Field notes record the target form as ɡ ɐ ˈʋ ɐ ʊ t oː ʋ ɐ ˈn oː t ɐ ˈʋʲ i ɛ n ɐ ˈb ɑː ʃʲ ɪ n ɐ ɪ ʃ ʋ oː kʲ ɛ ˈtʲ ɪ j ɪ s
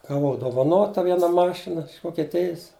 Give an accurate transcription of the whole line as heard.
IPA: ɡ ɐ ˈʋ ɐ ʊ d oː ʋ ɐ ˈn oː t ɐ ˈʋʲ i ɛ n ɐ ˈm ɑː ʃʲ ɪ n ɐ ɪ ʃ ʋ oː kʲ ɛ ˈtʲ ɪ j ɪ s